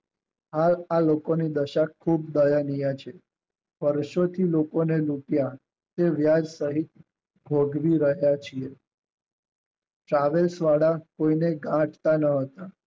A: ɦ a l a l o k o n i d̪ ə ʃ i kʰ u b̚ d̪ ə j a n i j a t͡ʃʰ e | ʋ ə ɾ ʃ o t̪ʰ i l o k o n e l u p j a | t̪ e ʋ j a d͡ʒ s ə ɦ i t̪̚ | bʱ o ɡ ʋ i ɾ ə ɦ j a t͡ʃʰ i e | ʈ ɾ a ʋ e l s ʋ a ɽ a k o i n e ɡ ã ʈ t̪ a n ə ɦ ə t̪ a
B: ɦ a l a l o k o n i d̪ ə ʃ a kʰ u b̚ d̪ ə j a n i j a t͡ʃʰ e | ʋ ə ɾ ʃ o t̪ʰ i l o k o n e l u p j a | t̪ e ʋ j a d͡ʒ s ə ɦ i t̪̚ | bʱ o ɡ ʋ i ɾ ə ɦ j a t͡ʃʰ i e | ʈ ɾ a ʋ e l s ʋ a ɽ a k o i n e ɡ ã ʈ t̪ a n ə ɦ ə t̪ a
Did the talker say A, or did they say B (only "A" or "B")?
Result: B